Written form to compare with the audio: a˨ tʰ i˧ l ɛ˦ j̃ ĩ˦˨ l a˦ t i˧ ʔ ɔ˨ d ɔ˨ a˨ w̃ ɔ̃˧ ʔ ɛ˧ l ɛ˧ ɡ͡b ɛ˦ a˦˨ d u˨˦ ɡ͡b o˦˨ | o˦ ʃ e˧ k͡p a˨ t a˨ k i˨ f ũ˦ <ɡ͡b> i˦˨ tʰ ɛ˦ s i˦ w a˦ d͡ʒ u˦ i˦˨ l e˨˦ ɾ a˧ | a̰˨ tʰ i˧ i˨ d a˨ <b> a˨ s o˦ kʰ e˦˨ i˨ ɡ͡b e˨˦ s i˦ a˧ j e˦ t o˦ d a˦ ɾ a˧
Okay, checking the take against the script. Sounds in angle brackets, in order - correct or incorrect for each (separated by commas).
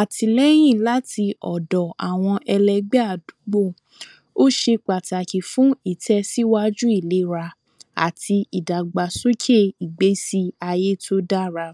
incorrect, incorrect